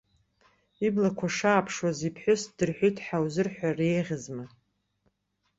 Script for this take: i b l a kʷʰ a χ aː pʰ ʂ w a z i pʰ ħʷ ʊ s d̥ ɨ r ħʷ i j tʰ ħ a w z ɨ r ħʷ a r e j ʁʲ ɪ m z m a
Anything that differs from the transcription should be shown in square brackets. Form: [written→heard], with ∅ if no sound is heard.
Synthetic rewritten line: i b l a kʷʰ a [χ→ʂ] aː pʰ ʂ w a z i pʰ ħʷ ʊ s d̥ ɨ r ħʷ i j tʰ ħ a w z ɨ r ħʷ a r e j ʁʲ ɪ [m→∅] z m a